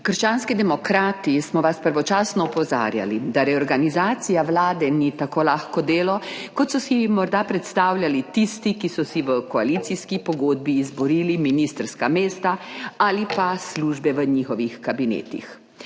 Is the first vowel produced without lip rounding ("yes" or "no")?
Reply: yes